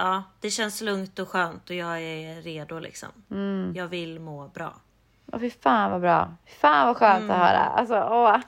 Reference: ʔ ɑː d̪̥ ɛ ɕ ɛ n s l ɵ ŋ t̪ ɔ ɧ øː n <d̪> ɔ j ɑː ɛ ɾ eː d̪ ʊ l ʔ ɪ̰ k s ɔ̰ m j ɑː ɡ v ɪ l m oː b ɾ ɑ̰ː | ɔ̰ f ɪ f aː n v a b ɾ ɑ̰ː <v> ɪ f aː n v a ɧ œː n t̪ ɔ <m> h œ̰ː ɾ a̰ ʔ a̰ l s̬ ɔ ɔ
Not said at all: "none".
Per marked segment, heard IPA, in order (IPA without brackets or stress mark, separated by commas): t̪, f, none